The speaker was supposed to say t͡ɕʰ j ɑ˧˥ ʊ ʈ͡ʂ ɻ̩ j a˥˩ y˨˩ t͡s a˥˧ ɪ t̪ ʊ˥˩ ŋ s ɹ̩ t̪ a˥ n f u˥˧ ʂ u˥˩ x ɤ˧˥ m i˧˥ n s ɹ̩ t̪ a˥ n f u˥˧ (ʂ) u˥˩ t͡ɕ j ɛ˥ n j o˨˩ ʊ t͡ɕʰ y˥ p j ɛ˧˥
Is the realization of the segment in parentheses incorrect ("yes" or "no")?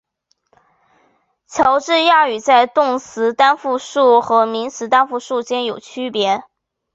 no